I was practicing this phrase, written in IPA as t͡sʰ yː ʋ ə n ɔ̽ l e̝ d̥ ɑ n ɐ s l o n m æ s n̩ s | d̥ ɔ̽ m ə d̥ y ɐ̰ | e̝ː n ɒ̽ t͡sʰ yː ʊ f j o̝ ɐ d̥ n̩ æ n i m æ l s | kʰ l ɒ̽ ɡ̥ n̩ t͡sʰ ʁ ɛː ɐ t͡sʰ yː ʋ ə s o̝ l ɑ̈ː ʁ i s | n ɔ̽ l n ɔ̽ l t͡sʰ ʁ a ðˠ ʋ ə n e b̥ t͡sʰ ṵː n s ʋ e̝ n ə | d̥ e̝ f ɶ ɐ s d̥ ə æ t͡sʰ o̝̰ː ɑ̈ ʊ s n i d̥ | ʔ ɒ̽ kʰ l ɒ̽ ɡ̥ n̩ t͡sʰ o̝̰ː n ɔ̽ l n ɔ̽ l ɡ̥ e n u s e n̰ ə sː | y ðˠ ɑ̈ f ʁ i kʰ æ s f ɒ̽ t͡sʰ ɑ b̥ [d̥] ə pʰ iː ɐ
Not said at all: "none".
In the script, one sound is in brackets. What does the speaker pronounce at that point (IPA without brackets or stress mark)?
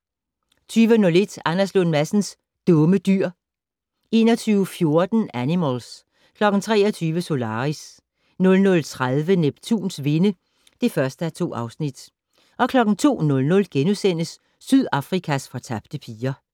d̥